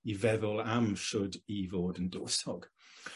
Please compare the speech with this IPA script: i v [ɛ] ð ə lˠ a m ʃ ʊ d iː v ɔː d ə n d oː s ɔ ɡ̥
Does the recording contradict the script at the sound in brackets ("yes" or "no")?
no